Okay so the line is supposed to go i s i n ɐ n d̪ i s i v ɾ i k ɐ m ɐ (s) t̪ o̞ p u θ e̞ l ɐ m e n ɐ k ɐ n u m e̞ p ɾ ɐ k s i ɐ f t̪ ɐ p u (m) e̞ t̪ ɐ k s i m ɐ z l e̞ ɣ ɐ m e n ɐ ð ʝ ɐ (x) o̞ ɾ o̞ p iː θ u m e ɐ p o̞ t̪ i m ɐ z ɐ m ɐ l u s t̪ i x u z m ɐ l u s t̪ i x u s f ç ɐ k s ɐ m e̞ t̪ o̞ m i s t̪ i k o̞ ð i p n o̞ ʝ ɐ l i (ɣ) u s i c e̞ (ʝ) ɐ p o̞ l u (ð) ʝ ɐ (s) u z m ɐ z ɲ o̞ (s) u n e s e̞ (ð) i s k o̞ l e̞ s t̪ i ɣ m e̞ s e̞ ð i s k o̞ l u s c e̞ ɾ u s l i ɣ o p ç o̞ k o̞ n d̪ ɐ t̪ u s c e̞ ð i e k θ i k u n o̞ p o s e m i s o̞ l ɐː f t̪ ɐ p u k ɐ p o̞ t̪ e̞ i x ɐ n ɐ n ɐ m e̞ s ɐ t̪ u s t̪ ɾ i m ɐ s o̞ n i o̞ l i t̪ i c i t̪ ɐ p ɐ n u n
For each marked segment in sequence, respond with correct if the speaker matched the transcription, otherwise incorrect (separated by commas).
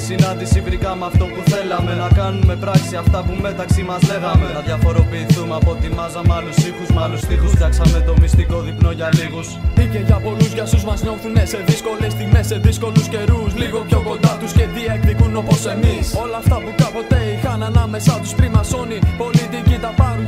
incorrect, correct, incorrect, correct, correct, incorrect, correct, incorrect, correct